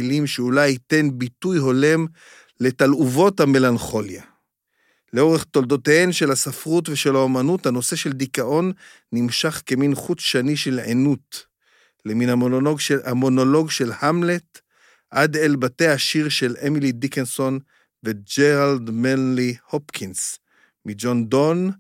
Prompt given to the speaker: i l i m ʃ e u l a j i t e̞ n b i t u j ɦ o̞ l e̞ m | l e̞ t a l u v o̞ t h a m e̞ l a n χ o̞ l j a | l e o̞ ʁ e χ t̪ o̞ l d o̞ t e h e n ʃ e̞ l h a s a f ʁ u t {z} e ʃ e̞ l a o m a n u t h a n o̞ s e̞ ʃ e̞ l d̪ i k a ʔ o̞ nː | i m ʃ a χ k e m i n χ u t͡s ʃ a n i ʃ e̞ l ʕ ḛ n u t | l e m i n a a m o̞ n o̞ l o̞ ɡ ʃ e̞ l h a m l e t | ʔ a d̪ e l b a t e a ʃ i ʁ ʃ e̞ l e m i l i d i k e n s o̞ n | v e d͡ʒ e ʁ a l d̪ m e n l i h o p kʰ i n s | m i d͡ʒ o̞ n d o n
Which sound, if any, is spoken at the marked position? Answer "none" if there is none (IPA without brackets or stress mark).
v